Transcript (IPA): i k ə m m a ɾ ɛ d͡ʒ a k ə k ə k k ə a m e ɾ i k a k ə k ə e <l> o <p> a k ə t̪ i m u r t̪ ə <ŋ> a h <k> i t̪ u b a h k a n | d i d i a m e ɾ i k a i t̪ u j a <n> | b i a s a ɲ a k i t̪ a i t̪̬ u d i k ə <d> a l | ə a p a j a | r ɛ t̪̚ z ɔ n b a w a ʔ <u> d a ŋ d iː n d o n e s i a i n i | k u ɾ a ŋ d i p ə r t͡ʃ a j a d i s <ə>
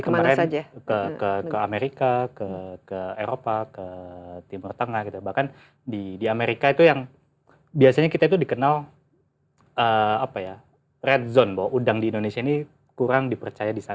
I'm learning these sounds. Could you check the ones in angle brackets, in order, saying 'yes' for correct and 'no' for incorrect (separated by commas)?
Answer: no, yes, yes, no, no, no, yes, no